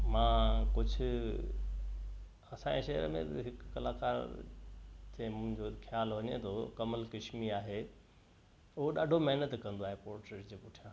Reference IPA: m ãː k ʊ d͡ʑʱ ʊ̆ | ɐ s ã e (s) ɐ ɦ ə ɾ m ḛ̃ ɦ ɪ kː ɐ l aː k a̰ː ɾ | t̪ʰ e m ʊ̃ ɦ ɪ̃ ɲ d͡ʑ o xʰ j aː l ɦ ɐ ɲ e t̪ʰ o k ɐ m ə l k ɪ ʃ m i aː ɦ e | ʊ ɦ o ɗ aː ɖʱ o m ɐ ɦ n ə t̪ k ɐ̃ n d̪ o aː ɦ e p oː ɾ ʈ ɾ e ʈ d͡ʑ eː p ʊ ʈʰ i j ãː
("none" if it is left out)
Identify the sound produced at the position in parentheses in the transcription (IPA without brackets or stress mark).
ʃ